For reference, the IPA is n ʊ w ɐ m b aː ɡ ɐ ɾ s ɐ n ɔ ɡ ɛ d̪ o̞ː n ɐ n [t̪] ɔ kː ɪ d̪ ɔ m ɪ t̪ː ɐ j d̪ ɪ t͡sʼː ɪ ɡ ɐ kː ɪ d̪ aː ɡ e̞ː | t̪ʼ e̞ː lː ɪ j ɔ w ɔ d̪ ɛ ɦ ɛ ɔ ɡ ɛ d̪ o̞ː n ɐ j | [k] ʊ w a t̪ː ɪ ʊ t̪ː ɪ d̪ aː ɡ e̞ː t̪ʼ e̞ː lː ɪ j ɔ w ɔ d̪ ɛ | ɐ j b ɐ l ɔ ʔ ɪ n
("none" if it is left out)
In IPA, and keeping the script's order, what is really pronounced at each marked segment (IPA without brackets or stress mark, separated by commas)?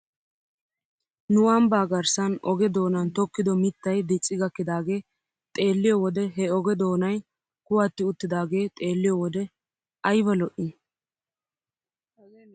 t̪, k